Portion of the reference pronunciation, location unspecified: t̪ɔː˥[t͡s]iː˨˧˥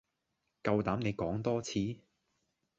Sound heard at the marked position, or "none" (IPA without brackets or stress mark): t͡sʰ